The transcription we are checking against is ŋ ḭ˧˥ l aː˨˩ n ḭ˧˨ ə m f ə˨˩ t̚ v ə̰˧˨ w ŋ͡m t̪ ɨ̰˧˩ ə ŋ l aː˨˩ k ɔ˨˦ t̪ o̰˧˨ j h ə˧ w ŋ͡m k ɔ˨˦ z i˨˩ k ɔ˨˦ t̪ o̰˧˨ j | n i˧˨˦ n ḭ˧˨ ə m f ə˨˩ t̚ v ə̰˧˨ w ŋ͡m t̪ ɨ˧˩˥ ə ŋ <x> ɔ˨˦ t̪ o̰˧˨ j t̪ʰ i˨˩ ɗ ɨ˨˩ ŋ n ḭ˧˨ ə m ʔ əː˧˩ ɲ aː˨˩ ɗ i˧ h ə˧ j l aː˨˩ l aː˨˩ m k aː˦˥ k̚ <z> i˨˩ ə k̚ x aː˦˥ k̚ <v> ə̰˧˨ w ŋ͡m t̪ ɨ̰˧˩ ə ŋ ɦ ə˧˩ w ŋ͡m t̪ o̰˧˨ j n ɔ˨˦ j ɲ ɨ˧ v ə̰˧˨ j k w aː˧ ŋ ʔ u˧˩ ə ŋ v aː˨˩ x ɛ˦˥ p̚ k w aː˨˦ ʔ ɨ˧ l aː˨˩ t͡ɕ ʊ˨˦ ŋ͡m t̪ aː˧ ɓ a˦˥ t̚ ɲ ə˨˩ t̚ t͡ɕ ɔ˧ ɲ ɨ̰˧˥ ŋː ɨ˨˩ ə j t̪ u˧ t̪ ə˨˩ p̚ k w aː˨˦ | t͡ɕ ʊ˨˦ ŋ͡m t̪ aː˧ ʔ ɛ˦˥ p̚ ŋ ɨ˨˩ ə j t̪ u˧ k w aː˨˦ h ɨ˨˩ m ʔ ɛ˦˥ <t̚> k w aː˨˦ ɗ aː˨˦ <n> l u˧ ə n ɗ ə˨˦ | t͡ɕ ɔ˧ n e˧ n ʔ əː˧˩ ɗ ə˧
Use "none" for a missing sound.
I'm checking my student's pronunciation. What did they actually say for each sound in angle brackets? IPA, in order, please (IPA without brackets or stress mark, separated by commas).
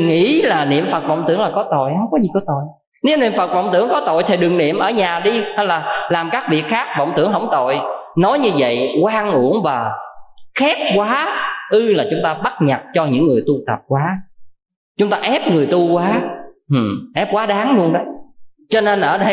k, v, v, p̚, ŋ